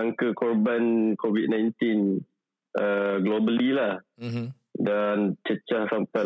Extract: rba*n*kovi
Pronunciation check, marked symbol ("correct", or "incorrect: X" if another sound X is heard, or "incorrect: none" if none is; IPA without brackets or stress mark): correct